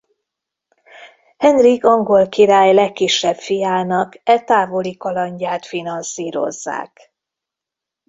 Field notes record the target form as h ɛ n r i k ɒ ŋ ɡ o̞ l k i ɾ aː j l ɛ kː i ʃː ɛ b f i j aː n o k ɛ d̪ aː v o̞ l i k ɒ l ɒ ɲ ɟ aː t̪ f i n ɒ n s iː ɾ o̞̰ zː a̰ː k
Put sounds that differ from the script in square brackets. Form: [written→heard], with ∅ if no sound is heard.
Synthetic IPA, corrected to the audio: h ɛ n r i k ɒ ŋ ɡ o̞ l k i ɾ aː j l ɛ kː i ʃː ɛ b f i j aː n [o→ɒ] k ɛ [d̪→t̪] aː v o̞ l i k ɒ l ɒ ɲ ɟ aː t̪ f i n ɒ n s iː ɾ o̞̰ zː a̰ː k